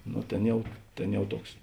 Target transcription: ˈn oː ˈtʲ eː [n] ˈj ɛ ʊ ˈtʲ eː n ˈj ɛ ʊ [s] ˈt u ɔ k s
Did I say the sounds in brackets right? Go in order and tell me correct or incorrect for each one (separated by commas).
correct, incorrect